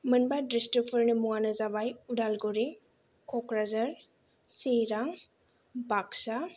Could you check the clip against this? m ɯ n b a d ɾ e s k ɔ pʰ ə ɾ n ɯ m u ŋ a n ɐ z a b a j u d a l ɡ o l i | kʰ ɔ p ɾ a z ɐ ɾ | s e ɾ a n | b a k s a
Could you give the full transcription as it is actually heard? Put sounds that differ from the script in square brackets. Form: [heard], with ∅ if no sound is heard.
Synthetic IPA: m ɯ n b a d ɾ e s [t] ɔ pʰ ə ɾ n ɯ m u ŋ a n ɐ z a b a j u d a l ɡ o [ɾ] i | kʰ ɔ [k] ɾ a z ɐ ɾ | s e ɾ a [ŋ] | b a k s a